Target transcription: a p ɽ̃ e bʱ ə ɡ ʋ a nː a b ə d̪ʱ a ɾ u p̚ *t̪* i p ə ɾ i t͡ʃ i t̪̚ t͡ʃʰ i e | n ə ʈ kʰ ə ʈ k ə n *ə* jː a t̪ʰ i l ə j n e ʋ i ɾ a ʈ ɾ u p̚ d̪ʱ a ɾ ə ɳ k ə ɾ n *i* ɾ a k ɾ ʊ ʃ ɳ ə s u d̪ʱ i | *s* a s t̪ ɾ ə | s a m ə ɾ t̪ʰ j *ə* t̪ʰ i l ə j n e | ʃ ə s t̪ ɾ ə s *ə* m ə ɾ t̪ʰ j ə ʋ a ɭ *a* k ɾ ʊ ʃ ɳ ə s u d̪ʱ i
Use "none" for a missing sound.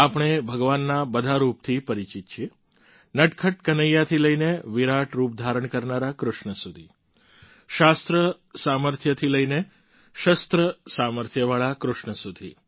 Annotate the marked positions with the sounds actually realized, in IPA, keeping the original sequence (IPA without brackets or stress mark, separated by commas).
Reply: t̪ʰ, ə, a, ʃ, ə, a, a